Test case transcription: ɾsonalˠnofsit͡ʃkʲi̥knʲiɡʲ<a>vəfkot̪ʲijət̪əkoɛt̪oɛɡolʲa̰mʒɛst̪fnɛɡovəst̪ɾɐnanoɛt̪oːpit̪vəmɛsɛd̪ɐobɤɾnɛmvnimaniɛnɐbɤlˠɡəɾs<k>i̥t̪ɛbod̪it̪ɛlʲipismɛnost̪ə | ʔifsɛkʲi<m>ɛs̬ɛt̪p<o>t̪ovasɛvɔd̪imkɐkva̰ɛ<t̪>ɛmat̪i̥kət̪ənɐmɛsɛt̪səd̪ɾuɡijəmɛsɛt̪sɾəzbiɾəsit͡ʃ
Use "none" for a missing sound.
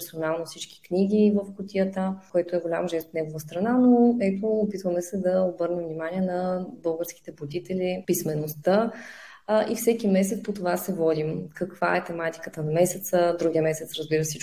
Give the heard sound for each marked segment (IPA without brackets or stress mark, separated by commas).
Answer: i, k, m, o, t̪